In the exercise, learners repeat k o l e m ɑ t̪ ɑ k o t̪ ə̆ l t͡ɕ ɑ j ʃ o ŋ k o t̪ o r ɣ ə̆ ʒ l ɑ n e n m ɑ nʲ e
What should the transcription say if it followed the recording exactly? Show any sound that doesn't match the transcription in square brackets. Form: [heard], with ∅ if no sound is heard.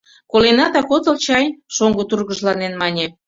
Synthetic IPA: k o l e [n] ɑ t̪ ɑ k o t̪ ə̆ l t͡ɕ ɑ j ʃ o ŋ [ɡ] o t̪ [u] r ɣ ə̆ ʒ l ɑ n e n m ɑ nʲ e